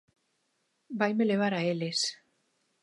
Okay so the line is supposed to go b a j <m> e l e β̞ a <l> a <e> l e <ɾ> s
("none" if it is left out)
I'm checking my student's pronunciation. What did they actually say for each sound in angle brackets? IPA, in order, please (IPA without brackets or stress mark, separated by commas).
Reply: m, ɾ, e, none